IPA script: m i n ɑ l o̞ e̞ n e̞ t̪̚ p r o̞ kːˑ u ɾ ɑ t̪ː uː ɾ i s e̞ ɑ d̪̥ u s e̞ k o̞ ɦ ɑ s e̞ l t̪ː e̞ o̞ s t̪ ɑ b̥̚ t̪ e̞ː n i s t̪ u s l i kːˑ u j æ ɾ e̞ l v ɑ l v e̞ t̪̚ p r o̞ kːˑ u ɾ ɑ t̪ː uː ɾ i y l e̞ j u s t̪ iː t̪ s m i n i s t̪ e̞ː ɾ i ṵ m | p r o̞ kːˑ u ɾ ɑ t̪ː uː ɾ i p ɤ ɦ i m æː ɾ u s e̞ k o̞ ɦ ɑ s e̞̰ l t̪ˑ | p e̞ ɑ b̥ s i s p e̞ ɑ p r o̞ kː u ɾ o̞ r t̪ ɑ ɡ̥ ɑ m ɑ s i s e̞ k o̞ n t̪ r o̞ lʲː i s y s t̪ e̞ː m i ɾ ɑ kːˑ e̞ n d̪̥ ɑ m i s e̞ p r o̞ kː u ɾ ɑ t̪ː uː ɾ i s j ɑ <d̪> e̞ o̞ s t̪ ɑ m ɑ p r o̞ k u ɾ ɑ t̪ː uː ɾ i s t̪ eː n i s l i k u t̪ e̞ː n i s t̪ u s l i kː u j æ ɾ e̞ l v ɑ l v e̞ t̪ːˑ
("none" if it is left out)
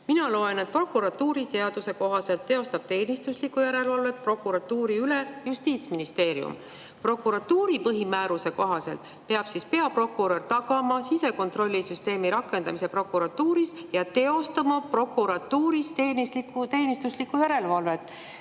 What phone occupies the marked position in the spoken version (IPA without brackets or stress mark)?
t̪